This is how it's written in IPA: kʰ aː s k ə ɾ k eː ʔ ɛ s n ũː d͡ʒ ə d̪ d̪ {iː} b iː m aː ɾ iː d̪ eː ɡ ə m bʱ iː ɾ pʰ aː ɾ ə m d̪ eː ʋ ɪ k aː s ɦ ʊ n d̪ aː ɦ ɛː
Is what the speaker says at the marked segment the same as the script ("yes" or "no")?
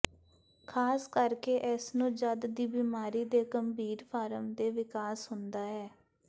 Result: yes